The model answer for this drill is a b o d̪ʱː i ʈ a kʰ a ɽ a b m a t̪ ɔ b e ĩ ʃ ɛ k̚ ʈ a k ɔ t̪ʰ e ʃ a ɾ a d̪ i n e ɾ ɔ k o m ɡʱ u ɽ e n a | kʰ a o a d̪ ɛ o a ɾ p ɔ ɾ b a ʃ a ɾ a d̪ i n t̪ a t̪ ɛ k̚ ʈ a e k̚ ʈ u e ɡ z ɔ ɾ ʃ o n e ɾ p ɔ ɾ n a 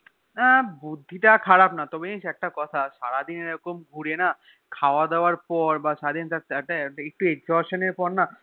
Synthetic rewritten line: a b u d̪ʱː i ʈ a kʰ a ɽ a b n a t̪ ɔ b e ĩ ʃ ɛ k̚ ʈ a k ɔ t̪ʰ a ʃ a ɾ a d̪ i n e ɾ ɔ k o m ɡʱ u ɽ e n a | kʰ a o a d̪ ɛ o a ɾ p ɔ ɾ b a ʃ a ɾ a d̪ i n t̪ a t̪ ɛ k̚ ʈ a e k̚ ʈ u e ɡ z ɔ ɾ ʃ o n e ɾ p ɔ ɾ n a